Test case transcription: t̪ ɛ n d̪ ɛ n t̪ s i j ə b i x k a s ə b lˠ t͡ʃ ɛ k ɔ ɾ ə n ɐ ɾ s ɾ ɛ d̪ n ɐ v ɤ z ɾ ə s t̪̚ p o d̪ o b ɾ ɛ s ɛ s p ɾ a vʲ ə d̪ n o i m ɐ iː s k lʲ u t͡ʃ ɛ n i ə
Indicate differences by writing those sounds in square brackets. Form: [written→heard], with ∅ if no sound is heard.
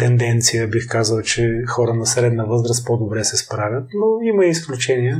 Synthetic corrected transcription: t̪ ɛ n d̪ ɛ n t̪ s i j ə b i x k a [s→z] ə [b→∅] lˠ t͡ʃ ɛ [k→x] ɔ ɾ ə n ɐ [ɾ→∅] s ɾ ɛ d̪ n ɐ v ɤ z ɾ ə s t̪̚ p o d̪ o b ɾ ɛ s ɛ s p ɾ a vʲ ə [d̪→t̪] n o i m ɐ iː s k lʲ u t͡ʃ ɛ n i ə